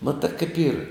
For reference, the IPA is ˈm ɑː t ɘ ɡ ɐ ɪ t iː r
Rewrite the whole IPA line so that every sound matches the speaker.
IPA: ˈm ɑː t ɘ k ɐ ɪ p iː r